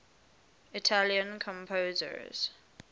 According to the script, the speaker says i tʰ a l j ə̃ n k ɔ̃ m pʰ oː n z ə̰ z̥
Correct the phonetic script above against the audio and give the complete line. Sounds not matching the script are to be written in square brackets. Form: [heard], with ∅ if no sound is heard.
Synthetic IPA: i tʰ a l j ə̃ n [kʰ] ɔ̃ m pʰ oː [∅] z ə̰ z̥